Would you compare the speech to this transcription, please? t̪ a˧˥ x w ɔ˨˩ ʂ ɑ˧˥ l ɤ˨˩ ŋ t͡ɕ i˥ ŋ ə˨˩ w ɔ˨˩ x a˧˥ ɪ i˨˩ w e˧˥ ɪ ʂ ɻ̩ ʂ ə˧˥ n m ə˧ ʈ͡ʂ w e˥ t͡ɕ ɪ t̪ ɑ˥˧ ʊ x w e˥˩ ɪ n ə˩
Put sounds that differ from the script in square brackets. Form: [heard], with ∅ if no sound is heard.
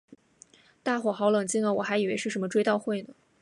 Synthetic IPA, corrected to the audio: t̪ [a˥˩] x w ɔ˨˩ [x] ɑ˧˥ l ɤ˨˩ ŋ t͡ɕ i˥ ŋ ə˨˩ w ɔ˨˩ x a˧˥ ɪ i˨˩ w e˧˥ ɪ ʂ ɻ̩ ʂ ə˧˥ n m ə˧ ʈ͡ʂ w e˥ [∅] ɪ t̪ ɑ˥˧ ʊ x w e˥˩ ɪ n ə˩